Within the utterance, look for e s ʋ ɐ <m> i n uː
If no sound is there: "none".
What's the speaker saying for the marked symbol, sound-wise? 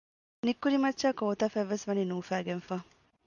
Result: n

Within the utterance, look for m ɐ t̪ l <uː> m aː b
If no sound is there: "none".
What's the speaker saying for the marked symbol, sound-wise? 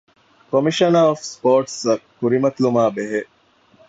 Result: u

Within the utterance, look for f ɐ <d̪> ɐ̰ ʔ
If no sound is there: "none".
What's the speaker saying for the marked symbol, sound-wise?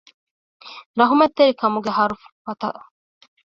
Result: t̪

